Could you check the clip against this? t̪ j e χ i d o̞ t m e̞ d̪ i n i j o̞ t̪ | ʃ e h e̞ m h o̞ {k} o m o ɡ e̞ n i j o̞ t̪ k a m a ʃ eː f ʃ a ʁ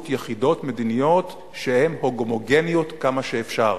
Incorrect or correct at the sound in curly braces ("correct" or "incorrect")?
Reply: incorrect